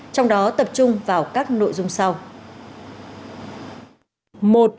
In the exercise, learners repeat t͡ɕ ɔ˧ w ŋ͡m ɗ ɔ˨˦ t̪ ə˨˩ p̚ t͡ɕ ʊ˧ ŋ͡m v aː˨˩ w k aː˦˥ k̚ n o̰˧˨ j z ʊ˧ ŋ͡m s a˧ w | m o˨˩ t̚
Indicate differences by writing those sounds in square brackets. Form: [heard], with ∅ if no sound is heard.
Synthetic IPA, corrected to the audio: t͡ɕ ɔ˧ w ŋ͡m ɗ ɔ˨˦ t̪ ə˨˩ p̚ t͡ɕ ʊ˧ ŋ͡m v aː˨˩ w k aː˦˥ k̚ n o̰˧˨ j z ʊ˧ ŋ͡m s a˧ w | m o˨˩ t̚